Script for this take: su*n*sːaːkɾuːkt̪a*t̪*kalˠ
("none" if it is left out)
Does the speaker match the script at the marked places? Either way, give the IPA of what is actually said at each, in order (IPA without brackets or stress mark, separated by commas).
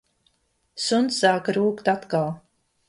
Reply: n, t̪